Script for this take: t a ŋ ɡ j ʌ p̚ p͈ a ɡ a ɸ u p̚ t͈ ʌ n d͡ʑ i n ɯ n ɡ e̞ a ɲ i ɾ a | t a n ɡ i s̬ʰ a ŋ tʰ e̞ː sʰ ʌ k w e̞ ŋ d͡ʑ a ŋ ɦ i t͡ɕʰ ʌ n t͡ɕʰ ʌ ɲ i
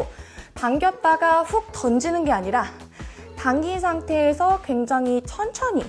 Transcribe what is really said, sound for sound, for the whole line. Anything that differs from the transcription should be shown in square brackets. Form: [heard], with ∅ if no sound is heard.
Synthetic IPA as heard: t a ŋ ɡ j ʌ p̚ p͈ a ɡ a ɸ u [k̚] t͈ ʌ n d͡ʑ i n ɯ n ɡ e̞ a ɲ i ɾ a | t a [ŋ] ɡ i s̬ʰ a ŋ tʰ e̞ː sʰ ʌ k w e̞ ŋ d͡ʑ a ŋ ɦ i t͡ɕʰ ʌ n t͡ɕʰ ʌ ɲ i